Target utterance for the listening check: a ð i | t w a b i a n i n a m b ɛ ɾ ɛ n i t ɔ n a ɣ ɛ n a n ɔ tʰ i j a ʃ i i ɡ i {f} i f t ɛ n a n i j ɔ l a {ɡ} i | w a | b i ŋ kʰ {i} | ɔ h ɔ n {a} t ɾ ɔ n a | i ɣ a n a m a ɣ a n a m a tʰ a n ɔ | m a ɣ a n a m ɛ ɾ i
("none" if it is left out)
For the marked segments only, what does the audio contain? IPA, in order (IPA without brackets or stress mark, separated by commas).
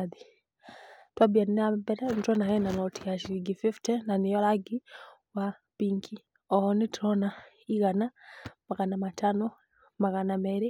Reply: f, ɡ, i, i